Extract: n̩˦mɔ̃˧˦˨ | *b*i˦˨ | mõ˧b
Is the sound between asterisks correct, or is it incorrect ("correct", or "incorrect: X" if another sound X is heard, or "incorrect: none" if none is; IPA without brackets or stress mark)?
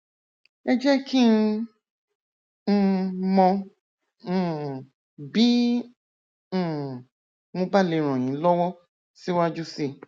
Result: correct